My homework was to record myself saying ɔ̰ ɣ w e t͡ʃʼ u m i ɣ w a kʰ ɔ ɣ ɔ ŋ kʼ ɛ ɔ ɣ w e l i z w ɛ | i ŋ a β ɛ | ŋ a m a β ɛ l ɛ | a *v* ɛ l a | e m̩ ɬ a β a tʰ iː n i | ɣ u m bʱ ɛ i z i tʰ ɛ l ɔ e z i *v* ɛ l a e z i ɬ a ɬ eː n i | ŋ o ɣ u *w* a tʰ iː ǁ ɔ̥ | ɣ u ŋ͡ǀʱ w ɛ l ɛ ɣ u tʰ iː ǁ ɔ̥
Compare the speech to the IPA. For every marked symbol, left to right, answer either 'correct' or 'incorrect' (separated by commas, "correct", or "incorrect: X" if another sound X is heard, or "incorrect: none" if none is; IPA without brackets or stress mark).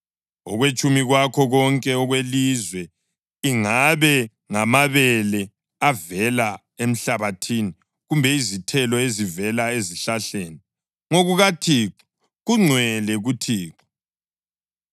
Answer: correct, correct, incorrect: ɣ